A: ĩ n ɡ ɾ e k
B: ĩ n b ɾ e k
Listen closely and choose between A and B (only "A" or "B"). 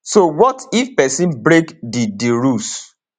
B